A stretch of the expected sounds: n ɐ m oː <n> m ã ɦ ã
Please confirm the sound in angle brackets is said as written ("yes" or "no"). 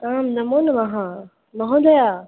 yes